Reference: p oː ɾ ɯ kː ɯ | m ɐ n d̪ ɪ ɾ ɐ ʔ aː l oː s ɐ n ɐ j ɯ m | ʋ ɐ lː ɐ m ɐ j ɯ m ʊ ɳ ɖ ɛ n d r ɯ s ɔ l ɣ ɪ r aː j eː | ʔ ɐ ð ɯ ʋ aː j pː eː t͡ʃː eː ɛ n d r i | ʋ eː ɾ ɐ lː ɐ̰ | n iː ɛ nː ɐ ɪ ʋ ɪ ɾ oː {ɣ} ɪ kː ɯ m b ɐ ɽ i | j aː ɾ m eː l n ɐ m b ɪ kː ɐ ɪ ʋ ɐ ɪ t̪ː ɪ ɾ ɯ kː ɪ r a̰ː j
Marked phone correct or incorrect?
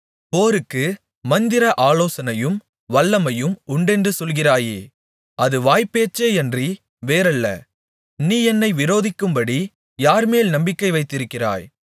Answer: incorrect